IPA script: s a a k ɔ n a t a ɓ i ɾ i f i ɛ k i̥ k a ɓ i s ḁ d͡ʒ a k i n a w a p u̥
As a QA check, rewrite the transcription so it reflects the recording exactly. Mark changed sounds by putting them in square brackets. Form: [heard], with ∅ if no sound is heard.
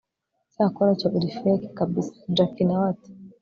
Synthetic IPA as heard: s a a k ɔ n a [t͡ʃ] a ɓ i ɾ i f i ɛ k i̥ k a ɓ i s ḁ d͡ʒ a k i n a w a [t] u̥